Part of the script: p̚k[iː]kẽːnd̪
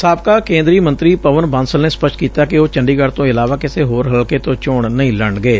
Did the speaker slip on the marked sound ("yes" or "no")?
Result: yes